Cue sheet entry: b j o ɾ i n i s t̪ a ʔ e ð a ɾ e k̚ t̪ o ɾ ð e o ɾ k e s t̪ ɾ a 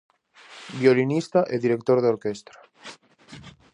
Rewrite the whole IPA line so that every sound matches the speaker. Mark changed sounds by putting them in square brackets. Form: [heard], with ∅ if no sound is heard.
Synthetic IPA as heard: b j o [l] i n i s t̪ a ʔ e ð [i] ɾ e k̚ t̪ o ɾ ð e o ɾ k e s t̪ ɾ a